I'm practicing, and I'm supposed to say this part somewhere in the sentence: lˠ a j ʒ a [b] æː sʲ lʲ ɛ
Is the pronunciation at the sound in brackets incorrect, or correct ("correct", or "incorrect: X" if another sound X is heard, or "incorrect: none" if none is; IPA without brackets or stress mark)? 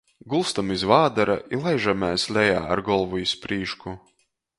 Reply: incorrect: m